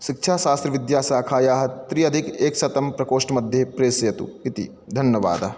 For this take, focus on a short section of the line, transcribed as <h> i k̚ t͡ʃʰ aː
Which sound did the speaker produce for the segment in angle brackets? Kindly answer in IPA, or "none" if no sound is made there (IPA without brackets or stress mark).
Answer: ʃ